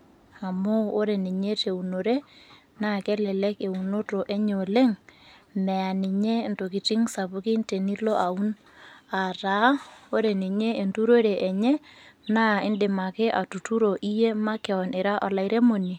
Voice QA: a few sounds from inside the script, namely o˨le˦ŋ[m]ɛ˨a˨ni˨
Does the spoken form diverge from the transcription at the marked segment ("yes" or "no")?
no